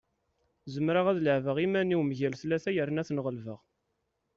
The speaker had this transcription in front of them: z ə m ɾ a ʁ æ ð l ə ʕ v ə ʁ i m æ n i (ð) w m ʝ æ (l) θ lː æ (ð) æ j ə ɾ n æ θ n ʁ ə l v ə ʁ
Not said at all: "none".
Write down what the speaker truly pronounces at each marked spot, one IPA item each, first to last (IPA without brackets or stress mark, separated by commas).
none, l, θ